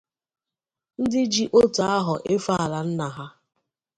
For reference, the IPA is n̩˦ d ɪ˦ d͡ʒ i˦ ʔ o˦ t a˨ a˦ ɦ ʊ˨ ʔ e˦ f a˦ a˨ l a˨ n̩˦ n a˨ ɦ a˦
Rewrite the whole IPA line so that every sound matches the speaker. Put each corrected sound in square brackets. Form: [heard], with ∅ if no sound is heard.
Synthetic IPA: n̩˦ d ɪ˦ d͡ʒ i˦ ʔ o˦ t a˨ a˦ ɦ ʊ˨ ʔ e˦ f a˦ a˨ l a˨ n̩˦ n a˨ ɦ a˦